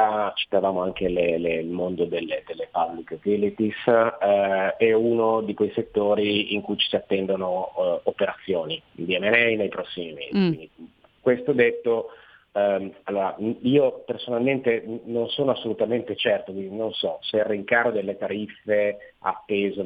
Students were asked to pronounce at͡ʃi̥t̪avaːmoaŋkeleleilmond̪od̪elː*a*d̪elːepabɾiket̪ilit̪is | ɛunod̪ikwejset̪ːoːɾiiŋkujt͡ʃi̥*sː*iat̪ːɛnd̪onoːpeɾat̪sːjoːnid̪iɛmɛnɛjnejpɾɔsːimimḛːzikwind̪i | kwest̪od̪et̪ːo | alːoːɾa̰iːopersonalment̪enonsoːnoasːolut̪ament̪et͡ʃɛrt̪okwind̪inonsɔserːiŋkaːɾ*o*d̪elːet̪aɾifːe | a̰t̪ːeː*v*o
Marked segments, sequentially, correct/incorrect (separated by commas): incorrect, incorrect, correct, incorrect